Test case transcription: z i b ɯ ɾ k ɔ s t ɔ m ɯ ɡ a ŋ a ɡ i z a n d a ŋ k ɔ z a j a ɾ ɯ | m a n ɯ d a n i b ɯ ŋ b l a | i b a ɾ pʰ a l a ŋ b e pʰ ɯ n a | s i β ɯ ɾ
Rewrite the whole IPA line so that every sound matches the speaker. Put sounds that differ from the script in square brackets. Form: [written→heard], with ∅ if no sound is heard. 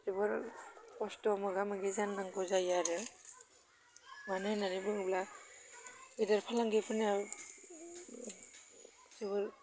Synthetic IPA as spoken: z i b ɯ ɾ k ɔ s t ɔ m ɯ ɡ a [ŋ→m] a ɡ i z a n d a ŋ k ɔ z a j a ɾ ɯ | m a n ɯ [d→n] a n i b ɯ ŋ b l a | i [b→d] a ɾ pʰ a l a ŋ [b→ɡ] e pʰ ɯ n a | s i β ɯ ɾ

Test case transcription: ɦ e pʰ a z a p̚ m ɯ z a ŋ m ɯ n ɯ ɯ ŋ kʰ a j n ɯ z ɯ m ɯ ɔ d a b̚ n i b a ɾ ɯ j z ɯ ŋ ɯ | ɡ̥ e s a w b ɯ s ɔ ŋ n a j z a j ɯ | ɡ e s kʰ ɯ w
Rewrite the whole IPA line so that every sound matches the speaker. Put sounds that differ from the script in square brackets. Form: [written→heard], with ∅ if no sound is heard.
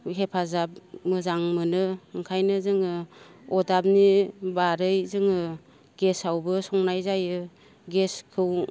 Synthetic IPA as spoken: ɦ e pʰ a z a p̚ m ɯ z a ŋ m ɯ n ɯ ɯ ŋ kʰ a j n ɯ z ɯ [m→ŋ] ɯ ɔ d a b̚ n i b a ɾ ɯ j z ɯ ŋ ɯ | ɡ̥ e s a w b ɯ s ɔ ŋ n a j z a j ɯ | ɡ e s kʰ ɯ w

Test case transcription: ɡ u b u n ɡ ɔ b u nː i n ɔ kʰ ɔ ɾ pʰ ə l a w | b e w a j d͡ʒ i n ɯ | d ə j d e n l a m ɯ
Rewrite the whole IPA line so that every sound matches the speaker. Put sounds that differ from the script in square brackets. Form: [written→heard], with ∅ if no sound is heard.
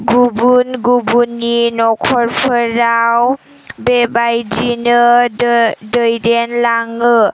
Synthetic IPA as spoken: ɡ u b u n ɡ [ɔ→u] b u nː i n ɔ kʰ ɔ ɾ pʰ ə [l→ɾ] a w | b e [w→b] a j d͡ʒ i n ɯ | d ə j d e n l a [m→ŋ] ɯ

